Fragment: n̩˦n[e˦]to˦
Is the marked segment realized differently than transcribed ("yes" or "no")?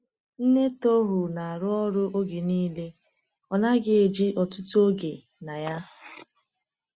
no